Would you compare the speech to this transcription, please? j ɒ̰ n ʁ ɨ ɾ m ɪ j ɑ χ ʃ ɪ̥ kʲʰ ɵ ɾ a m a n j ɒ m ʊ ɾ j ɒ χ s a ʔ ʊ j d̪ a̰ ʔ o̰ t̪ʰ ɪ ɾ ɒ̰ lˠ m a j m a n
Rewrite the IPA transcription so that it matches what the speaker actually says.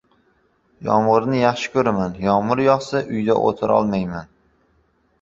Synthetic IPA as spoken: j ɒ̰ m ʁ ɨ ɾ n ɪ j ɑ χ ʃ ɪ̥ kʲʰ ɵ ɾ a m a n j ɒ m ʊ ɾ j ɒ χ s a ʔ ʊ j d̪ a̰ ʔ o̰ t̪ʰ ɪ ɾ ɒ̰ lˠ m a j m a n